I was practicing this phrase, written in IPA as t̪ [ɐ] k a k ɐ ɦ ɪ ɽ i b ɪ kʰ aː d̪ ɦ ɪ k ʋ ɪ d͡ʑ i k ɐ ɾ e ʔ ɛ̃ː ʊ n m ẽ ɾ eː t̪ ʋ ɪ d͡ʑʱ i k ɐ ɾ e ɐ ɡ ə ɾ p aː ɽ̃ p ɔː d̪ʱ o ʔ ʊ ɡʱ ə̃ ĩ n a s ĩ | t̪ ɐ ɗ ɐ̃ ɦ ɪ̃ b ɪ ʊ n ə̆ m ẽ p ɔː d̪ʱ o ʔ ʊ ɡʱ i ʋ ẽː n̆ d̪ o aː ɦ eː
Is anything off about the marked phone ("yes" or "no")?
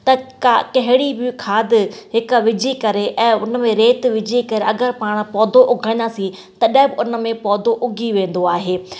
no